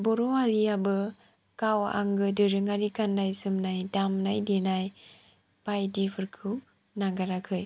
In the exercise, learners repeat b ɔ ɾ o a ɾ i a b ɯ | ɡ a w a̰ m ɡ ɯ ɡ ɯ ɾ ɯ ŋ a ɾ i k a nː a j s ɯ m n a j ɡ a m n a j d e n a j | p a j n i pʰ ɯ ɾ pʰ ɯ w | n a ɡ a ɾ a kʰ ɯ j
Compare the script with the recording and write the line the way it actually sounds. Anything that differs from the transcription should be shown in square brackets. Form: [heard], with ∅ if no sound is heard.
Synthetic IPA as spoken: b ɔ ɾ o a ɾ i a b ɯ | [k] a w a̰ [ŋ] ɡ ɯ [d] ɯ ɾ ɯ ŋ a ɾ i k a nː a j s ɯ m n a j [d] a m n a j d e n a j | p a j [d] i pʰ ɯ ɾ [kʰ] ɯ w | n a ɡ a ɾ a kʰ ɯ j